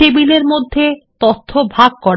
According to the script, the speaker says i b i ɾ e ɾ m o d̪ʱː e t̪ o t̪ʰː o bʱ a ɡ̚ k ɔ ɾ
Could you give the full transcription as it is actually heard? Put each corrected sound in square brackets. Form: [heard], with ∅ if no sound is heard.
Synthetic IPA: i b i [l] e ɾ m o d̪ʱː e t̪ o t̪ʰː o bʱ a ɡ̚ k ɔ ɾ